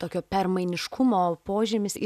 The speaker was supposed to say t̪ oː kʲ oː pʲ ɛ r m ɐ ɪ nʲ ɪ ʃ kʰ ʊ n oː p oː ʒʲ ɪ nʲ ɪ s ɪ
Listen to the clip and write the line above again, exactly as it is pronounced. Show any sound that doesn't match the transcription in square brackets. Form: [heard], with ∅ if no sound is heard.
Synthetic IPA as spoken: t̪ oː kʲ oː pʲ ɛ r m ɐ ɪ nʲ ɪ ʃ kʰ ʊ [m] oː p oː ʒʲ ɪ [mʲ] ɪ s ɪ